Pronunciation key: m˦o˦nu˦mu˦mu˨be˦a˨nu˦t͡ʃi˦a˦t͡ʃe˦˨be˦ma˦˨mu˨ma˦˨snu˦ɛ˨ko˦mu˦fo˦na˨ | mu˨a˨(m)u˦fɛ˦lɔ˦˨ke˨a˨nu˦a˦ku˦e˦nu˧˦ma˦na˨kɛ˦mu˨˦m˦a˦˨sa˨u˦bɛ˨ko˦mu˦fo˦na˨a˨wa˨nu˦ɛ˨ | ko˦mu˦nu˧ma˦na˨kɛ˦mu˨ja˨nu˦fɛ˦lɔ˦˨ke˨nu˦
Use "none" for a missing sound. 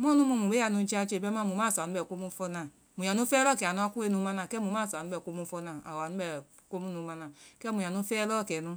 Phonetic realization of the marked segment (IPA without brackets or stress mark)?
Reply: n